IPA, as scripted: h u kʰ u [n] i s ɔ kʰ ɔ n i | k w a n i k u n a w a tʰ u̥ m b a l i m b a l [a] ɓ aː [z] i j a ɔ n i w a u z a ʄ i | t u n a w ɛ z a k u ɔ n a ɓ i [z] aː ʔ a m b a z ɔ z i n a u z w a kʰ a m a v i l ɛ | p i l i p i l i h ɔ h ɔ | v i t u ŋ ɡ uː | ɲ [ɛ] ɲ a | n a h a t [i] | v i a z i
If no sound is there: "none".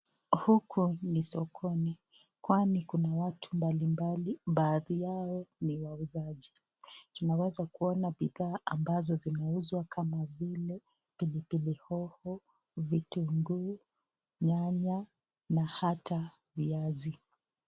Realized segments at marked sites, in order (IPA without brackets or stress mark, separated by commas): n, i, ð, ð, a, a